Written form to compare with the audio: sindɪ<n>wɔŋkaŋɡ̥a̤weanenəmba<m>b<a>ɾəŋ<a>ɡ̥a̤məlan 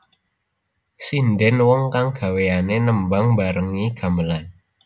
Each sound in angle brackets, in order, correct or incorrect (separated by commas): correct, incorrect, correct, incorrect